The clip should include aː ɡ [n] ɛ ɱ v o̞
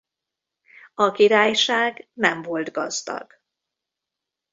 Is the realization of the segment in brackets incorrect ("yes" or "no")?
no